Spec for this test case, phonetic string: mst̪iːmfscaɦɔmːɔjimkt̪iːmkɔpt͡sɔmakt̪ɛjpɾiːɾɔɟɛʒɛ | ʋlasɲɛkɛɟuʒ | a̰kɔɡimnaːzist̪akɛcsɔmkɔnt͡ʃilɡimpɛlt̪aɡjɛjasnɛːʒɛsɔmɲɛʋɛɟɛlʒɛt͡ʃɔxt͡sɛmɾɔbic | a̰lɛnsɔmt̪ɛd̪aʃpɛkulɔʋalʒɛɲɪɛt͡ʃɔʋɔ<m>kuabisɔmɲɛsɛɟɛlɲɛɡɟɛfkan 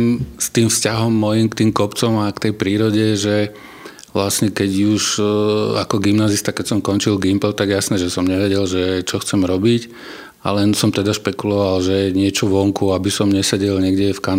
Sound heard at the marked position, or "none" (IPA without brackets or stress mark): ŋ